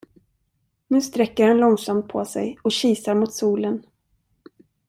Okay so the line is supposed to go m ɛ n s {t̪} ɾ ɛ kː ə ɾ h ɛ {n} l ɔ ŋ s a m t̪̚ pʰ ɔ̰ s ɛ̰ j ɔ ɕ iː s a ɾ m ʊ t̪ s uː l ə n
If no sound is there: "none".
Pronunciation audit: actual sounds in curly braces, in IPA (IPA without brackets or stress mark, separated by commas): t̪, n